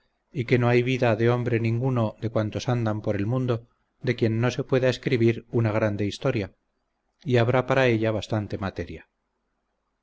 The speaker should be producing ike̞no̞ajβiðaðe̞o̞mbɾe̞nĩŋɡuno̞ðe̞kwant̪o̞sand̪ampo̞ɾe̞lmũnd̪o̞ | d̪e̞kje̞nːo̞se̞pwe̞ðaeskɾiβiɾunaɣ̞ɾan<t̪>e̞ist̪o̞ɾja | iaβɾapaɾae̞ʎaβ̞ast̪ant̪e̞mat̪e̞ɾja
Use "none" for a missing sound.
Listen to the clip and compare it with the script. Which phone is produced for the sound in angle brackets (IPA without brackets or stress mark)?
d̪